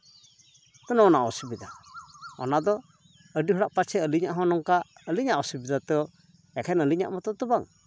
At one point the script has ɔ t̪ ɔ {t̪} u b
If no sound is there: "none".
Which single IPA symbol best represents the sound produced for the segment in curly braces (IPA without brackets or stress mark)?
t̪